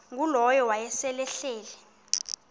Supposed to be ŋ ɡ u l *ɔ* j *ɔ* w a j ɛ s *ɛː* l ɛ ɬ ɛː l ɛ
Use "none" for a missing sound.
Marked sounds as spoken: ɔ, ɔ, ɛ

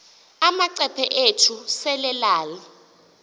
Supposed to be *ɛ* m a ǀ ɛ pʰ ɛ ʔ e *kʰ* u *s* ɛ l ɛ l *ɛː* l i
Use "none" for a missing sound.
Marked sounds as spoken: a, tʰ, s, aː

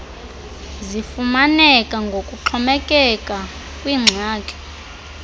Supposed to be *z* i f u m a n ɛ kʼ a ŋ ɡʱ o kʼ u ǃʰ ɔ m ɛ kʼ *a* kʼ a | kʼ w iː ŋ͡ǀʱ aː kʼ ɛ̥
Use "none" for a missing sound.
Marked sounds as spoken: z, ɛ

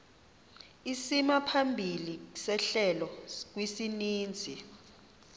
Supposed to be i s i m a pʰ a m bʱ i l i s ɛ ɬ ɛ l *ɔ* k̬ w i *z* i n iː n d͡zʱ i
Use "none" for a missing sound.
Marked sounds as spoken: ɔ, s

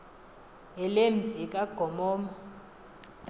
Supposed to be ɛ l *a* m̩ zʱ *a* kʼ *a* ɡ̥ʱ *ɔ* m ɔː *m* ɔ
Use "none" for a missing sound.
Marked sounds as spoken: e, i, a, ɔ, m

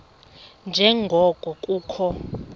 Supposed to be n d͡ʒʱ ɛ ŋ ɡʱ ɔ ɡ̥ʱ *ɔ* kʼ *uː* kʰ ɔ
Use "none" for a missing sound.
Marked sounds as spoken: ɔ, uː

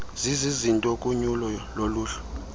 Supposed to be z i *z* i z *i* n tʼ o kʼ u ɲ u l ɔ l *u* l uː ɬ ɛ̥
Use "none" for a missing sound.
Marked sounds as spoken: z, i, o

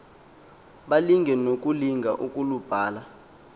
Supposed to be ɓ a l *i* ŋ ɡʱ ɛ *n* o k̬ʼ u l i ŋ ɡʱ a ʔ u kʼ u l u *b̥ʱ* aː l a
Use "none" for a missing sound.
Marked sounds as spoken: i, n, b̥ʱ

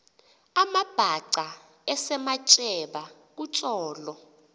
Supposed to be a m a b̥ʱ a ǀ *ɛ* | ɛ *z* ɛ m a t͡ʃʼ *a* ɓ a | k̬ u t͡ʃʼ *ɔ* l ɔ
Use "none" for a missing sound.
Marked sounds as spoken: a, s, ɛ, ɔː

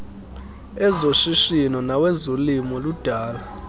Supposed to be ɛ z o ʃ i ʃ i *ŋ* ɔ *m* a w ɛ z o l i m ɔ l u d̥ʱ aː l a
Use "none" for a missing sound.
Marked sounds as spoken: n, n

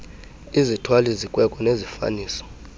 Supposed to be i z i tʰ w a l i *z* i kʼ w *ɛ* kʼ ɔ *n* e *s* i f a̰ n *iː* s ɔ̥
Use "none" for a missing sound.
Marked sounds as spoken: z, ɛ, n, z, iː

